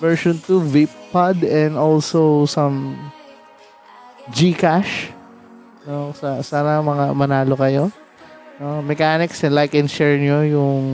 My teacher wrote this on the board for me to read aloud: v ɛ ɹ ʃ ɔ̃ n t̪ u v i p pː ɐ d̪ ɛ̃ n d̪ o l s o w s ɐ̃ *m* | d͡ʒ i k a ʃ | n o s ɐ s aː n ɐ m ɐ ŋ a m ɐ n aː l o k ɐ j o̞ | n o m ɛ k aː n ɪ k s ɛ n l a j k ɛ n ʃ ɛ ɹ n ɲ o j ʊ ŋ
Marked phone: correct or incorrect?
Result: correct